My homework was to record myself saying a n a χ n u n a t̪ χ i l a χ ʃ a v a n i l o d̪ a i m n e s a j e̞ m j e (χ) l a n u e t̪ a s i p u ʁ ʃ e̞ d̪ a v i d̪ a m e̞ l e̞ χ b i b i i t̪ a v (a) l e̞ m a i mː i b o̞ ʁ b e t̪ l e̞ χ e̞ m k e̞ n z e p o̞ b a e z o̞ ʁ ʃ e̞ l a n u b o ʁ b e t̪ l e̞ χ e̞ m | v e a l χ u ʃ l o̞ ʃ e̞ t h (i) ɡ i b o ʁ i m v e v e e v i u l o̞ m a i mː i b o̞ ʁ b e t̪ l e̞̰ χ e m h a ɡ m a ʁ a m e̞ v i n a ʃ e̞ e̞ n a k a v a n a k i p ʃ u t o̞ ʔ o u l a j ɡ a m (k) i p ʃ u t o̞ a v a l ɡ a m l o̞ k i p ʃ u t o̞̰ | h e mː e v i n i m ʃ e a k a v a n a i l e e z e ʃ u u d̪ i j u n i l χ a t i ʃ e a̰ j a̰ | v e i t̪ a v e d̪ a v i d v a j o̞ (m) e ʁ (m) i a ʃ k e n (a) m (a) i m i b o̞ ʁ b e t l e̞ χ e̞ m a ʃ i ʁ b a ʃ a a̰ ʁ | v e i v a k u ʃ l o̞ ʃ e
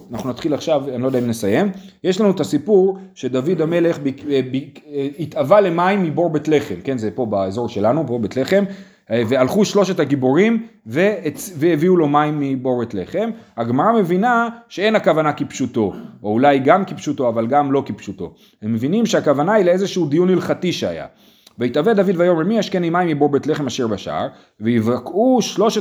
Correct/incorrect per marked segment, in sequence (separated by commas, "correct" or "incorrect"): incorrect, correct, incorrect, correct, correct, correct, incorrect, correct